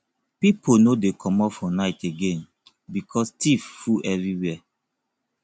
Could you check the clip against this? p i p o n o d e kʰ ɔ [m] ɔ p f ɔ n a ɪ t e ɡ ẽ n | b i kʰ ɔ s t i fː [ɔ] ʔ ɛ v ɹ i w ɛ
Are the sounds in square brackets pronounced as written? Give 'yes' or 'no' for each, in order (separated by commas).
yes, no